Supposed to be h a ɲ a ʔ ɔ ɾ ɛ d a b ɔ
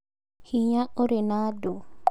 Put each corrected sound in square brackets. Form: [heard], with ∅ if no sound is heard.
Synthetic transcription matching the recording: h [i] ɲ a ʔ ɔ ɾ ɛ [n] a [d] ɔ